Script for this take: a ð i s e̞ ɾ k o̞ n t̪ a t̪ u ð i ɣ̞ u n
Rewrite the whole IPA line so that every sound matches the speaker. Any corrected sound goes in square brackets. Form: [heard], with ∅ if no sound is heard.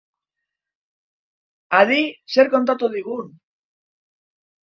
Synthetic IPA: a ð i s e̞ ɾ k o̞ n t̪ a t̪ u ð i ɣ̞ u n

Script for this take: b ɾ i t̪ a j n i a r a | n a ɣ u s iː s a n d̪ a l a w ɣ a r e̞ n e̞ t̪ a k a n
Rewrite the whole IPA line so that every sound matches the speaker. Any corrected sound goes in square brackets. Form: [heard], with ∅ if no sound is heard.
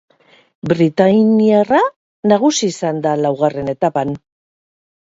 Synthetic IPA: b ɾ i t̪ a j n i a r a | n a ɣ u s iː s a n d̪ a l a w ɣ a r e̞ n e̞ t̪ a [p] a n

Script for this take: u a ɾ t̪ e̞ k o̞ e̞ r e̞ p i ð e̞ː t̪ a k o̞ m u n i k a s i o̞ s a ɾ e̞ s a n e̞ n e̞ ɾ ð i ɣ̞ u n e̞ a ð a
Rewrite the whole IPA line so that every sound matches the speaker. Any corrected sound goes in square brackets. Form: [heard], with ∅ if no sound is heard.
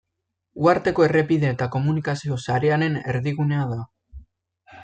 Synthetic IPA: u a ɾ t̪ e̞ k o̞ e̞ r e̞ p i ð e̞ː t̪ a k o̞ m u n i k a s i o̞ s a ɾ e̞ [∅] a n e̞ n e̞ ɾ ð i ɣ̞ u n e̞ a ð a

